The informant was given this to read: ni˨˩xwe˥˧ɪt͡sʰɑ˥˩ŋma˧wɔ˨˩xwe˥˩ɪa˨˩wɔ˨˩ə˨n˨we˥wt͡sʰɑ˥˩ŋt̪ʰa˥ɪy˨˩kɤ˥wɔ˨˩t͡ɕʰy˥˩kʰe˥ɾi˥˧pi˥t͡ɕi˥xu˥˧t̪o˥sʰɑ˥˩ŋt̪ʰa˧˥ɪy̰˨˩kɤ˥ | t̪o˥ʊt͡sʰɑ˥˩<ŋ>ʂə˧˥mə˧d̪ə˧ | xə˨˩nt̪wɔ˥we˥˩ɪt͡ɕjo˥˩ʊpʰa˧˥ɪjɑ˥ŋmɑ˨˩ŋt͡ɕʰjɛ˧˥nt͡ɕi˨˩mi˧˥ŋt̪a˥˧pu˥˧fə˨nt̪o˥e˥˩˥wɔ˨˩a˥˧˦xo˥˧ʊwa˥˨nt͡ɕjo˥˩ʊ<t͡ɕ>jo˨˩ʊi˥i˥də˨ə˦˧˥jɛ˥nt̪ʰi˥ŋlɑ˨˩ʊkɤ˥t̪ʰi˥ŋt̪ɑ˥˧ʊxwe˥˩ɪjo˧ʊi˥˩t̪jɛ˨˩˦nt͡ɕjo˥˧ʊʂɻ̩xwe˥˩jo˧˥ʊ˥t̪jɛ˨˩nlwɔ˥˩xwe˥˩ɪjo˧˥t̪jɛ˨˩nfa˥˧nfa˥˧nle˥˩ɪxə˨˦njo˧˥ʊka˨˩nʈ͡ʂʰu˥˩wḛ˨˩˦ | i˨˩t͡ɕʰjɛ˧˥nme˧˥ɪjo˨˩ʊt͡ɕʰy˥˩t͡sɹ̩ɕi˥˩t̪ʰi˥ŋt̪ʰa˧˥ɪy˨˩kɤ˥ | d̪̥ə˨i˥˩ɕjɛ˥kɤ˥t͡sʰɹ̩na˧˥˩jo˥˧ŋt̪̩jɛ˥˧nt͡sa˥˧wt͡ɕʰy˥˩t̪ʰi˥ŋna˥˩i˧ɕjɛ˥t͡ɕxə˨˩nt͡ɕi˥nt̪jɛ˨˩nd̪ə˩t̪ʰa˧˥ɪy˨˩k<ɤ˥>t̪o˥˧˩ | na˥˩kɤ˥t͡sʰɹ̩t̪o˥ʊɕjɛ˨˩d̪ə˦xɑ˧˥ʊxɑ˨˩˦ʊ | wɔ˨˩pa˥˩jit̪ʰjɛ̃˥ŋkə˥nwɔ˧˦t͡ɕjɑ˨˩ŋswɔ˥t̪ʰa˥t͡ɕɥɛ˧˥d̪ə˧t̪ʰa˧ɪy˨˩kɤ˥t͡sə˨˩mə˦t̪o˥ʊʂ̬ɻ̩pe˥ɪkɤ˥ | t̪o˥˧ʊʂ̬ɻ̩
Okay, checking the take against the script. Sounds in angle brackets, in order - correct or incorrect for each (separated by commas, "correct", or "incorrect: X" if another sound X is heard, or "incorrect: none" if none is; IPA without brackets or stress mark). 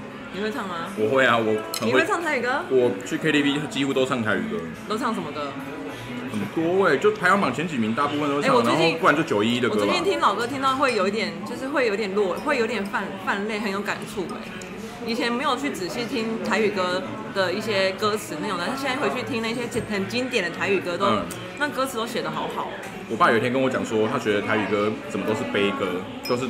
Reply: correct, correct, correct